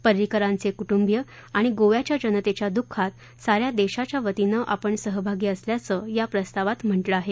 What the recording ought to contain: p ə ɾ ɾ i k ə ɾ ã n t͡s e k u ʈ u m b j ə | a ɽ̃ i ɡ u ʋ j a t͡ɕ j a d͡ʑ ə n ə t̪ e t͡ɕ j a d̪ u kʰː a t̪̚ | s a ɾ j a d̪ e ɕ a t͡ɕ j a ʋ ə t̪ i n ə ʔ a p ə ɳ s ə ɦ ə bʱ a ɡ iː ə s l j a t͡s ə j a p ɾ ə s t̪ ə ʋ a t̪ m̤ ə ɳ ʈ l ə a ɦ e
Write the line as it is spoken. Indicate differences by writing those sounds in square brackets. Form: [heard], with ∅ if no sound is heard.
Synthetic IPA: p ə ɾ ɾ i k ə ɾ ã n t͡s e k u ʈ u m b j ə | a ɽ̃ i ɡ [o] ʋ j a t͡ɕ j a d͡ʑ ə n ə t̪ e t͡ɕ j a d̪ u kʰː a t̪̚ | s a ɾ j a d̪ e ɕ a t͡ɕ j a ʋ ə t̪ i n ə ʔ a p ə ɳ s ə ɦ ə bʱ a ɡ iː ə s l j a t͡s ə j a p ɾ ə s t̪ [a] ʋ a t̪ m̤ ə ɳ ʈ l ə a ɦ e